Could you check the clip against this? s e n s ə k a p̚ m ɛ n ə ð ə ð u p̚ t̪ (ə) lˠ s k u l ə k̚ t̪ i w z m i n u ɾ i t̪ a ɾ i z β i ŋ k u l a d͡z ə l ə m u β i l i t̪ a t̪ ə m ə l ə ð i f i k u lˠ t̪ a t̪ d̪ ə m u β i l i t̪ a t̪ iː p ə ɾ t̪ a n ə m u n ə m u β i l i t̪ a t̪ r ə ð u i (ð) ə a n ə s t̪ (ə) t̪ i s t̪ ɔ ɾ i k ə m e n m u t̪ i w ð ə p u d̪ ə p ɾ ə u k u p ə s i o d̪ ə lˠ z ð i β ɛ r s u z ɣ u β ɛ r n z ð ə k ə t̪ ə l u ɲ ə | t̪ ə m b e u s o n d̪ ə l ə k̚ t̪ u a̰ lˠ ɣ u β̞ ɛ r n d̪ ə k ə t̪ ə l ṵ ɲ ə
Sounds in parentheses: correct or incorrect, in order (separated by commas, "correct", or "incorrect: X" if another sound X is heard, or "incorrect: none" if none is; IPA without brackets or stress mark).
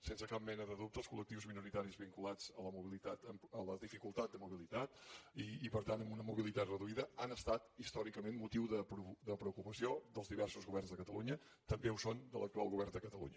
correct, correct, incorrect: a